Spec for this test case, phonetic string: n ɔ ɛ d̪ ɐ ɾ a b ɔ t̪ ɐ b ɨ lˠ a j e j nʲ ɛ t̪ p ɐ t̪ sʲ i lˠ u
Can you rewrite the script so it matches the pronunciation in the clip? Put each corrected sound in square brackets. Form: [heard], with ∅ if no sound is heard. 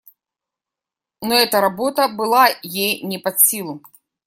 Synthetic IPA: n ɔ ɛ [t̪] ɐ ɾ a b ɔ t̪ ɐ b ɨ lˠ a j e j nʲ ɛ [∅] p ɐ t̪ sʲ i lˠ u